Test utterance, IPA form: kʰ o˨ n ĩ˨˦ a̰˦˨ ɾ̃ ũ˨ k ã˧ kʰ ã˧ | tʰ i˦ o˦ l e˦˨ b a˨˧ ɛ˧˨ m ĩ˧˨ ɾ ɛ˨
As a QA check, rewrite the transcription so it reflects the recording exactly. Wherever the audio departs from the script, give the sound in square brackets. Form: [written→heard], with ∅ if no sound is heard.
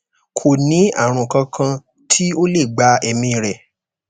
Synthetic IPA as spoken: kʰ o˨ n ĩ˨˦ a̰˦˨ ɾ̃ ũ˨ k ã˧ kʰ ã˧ | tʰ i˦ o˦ l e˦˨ [b→ɡ͡b] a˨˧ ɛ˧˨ m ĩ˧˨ ɾ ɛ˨